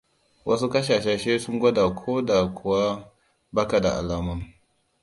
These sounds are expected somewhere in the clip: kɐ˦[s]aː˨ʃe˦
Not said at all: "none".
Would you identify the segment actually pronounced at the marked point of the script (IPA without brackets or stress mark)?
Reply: ʃ